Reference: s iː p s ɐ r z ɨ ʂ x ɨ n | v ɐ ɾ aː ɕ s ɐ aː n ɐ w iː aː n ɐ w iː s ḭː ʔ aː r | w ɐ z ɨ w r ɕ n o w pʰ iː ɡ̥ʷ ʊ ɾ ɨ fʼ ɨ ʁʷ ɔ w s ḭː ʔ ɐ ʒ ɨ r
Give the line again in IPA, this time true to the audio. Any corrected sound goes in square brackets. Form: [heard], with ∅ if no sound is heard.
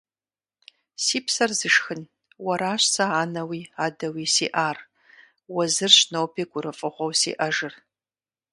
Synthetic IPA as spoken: s iː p s ɐ r z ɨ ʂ x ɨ n | [w] ɐ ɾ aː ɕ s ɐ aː n ɐ w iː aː [d] ɐ w iː s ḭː ʔ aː r | w ɐ z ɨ [∅] r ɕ n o w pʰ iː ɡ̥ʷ ʊ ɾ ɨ fʼ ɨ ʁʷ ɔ w s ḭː ʔ ɐ ʒ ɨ r

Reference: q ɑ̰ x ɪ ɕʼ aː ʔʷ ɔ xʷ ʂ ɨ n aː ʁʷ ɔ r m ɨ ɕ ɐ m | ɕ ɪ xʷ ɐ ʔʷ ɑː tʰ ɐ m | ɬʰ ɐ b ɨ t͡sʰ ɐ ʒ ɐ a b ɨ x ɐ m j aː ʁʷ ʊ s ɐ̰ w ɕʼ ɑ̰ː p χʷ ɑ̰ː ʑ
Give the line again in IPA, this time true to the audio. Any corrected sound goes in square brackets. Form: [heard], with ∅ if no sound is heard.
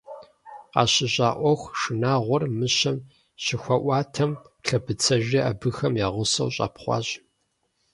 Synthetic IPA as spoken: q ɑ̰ [ɕ] ɪ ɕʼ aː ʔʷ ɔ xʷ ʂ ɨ n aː ʁʷ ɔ r m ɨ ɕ ɐ m | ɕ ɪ xʷ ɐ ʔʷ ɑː tʰ ɐ m | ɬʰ ɐ b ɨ t͡sʰ ɐ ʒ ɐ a b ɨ x ɐ m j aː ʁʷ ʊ s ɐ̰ w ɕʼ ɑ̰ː p χʷ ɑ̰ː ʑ

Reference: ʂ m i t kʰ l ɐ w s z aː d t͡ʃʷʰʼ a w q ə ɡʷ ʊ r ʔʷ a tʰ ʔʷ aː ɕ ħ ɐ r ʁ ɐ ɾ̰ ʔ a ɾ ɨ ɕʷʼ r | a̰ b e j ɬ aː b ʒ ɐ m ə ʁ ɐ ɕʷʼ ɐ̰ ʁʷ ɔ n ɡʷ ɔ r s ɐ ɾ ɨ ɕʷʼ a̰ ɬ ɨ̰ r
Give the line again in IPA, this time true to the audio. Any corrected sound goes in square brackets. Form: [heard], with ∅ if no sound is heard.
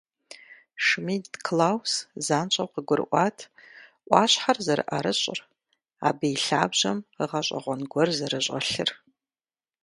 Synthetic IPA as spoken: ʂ m i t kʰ l [a] w s z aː [n] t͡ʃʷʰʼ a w q ə ɡʷ ʊ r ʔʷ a tʰ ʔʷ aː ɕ ħ [a] r [z] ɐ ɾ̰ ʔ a ɾ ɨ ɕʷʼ r | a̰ b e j ɬ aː b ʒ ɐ m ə ʁ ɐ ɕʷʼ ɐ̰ ʁʷ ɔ n ɡʷ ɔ r [z] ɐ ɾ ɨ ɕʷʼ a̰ ɬ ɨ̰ r

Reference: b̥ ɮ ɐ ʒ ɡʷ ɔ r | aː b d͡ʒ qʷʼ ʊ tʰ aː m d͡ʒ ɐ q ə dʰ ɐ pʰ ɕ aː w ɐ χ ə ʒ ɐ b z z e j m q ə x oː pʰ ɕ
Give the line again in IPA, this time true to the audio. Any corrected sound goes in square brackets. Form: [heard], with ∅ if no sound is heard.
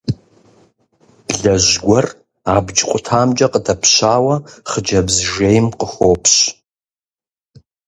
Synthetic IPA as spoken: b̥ ɮ ɐ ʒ ɡʷ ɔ r | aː b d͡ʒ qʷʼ ʊ tʰ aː m d͡ʒ ɐ q ə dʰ ɐ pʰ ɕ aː w ɐ χ ə [d͡ʒ] ɐ b z [ʒ] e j m q ə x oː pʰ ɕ

